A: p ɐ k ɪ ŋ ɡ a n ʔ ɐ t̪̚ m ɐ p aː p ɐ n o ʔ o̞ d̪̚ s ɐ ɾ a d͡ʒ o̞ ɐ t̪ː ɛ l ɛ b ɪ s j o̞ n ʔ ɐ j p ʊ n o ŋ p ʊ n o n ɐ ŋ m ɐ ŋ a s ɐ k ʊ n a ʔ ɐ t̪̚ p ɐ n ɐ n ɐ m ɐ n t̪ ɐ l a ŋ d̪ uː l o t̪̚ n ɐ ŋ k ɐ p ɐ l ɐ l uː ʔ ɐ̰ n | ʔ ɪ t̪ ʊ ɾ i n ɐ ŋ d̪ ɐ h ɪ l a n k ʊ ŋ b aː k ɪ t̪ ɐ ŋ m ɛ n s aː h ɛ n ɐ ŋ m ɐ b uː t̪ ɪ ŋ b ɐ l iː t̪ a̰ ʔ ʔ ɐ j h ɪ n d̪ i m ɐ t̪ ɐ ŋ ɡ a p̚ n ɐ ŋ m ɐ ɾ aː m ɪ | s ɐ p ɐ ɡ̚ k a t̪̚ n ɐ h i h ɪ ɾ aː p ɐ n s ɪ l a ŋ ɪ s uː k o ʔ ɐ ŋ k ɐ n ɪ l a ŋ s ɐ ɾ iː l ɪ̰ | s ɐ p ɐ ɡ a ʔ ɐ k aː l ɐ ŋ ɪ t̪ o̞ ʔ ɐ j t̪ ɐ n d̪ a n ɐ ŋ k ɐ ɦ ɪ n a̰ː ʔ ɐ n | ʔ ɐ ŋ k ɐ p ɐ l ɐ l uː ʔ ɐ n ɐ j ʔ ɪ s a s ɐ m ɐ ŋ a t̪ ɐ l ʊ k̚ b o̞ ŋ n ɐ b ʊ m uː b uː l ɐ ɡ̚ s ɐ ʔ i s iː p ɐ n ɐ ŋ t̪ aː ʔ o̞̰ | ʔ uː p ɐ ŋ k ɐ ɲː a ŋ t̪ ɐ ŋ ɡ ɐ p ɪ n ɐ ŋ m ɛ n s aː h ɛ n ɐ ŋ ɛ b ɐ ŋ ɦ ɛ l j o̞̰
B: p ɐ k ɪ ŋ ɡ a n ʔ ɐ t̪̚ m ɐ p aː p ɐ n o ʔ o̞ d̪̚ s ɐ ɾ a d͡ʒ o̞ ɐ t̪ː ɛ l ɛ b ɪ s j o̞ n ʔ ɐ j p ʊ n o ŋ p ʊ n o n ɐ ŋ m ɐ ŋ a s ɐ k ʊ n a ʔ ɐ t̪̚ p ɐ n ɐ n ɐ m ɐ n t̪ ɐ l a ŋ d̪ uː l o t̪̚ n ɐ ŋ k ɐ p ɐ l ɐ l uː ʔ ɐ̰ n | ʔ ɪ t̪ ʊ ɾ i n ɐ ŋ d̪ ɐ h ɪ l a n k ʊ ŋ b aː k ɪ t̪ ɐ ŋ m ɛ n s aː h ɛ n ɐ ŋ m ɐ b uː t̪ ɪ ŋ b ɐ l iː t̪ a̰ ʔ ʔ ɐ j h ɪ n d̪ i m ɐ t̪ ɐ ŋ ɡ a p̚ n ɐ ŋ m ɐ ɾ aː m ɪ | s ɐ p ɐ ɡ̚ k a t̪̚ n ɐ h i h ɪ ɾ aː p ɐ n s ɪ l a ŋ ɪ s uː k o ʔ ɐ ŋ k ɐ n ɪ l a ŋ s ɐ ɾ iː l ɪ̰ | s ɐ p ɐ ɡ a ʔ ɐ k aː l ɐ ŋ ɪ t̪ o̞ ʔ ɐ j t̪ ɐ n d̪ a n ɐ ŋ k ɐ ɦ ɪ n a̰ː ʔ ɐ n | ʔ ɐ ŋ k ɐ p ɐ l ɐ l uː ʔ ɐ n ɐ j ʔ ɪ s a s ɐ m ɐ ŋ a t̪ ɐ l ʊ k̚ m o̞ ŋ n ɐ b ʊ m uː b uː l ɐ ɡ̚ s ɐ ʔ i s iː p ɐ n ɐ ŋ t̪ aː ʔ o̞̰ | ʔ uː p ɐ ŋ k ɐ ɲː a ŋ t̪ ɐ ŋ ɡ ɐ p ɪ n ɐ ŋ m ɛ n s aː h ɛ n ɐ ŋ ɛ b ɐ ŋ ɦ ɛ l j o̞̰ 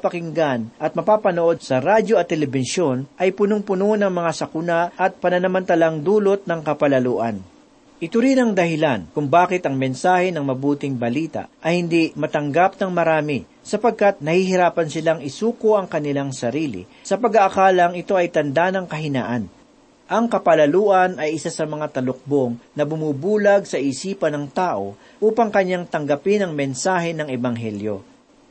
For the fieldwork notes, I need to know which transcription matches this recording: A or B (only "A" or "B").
A